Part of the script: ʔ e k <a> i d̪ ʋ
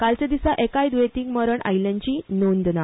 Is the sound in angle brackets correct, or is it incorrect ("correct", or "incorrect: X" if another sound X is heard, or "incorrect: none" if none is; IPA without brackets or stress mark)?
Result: correct